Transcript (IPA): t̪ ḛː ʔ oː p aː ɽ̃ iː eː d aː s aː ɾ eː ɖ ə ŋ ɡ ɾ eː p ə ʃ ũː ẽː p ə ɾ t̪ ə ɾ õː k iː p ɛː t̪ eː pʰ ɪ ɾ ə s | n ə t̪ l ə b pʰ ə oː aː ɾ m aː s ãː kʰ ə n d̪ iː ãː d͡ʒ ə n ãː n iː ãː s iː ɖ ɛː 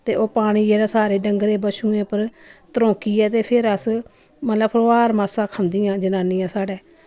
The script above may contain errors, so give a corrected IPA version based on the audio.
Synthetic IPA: t̪ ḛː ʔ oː p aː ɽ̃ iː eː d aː s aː ɾ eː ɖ ə ŋ ɡ ɾ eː b ə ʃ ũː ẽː p ə ɾ t̪ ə ɾ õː k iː ɛː t̪ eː pʰ ɪ ɾ ə s | m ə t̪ l ə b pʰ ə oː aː ɾ m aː s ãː kʰ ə n d̪ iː ãː d͡ʒ ə n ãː n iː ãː s aː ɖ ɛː